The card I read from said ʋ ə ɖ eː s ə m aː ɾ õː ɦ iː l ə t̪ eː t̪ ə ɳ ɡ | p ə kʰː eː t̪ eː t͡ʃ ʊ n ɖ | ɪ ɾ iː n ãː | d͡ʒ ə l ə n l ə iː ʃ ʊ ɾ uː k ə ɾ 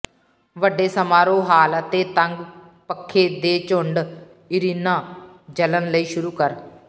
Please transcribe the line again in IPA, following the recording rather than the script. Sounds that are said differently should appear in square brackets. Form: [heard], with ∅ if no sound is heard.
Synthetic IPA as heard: ʋ ə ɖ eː s ə m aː ɾ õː ɦ [aː] l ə t̪ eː t̪ ə [ŋ] ɡ | p ə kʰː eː [d̪] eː t͡ʃ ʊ [ɳ] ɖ | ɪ ɾ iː n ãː | d͡ʒ ə l ə n l ə iː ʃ ʊ ɾ uː k ə ɾ